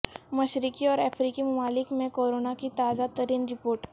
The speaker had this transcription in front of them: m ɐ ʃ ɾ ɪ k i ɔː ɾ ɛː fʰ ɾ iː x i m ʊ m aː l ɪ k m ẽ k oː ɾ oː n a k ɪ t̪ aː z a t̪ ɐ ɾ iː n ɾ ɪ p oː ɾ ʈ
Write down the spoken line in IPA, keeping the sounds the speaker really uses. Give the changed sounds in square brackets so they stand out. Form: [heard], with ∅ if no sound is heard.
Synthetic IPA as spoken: m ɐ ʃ ɾ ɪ k i ɔː ɾ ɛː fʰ ɾ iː [k] i m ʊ m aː l ɪ k m ẽ k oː ɾ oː n a k [i] t̪ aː z a t̪ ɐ ɾ iː n ɾ ɪ p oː ɾ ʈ